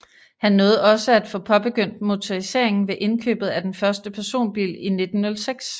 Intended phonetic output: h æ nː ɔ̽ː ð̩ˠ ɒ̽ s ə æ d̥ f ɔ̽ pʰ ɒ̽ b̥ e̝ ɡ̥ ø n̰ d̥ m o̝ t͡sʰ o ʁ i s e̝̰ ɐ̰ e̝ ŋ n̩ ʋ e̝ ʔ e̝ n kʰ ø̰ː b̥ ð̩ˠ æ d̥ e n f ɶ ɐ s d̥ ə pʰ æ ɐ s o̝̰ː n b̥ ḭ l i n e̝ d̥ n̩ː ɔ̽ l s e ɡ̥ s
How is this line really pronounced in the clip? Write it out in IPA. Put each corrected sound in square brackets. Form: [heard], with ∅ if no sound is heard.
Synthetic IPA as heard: h æ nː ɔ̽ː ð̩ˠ ɒ̽ s ə æ d̥ f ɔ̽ pʰ ɒ̽ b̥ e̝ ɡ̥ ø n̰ d̥ m o̝ t͡sʰ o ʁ i s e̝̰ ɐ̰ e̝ ŋ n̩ ʋ e̝ ʔ e̝ n kʰ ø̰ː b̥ ð̩ˠ æ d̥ e n f ɶ ɐ s d̥ ə pʰ æ ɐ s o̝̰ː n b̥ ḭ l i n e̝ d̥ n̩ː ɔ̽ l s e ɡ̥ s